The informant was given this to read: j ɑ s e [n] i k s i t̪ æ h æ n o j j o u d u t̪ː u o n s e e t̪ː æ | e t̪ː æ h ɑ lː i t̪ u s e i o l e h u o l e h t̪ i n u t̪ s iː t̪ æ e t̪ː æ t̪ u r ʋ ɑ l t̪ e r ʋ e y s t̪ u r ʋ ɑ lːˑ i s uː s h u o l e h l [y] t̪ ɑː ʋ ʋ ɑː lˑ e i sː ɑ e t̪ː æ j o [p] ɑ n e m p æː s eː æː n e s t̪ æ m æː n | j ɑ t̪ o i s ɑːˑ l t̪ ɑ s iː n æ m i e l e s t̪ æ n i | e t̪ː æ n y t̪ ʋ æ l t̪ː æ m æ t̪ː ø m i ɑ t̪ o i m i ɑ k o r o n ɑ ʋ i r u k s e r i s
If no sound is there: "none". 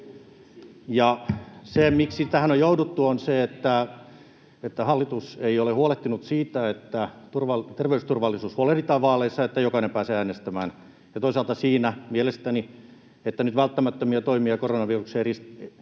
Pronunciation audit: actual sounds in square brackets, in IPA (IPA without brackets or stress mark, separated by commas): m, i, k